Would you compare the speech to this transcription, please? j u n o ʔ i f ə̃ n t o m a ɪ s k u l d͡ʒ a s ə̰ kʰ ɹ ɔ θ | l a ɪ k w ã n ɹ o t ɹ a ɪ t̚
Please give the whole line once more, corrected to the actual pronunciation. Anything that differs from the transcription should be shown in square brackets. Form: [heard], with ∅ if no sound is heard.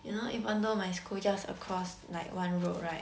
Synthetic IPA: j u n o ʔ i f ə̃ n [d] o m a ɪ s k u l d͡ʒ a s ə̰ kʰ ɹ ɔ [s] | l a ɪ k w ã n ɹ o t ɹ a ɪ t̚